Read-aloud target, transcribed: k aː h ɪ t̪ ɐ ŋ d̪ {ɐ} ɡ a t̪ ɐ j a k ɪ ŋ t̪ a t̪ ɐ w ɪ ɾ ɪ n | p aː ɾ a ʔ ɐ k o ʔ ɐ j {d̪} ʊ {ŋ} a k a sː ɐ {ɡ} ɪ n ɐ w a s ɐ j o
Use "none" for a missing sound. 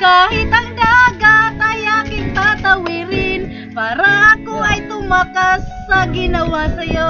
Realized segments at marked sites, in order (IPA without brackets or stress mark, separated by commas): a, t̪, m, ɡ